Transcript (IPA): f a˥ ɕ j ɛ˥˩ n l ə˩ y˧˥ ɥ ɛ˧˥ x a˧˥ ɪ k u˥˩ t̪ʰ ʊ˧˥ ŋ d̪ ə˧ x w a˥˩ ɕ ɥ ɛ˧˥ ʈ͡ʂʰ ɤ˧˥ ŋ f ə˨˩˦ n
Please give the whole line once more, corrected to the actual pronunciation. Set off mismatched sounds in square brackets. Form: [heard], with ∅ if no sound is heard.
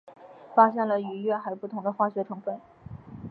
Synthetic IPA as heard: f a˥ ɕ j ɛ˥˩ n l ə˩ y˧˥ ɥ [ɛ˥˩˧] x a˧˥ ɪ [p] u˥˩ t̪ʰ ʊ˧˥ ŋ d̪ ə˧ x w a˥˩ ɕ ɥ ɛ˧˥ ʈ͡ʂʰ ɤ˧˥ ŋ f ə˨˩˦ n